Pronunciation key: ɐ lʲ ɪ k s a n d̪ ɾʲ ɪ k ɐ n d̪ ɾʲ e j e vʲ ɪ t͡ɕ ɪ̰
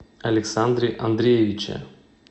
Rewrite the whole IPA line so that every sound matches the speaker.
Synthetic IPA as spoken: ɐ lʲ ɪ k s a n d̪ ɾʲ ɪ ʔ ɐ n d̪ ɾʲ e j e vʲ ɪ t͡ɕ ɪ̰